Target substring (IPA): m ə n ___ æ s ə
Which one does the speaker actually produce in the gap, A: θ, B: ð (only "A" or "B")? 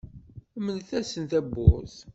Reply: A